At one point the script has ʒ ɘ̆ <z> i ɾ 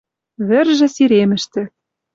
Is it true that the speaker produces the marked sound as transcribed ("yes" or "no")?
no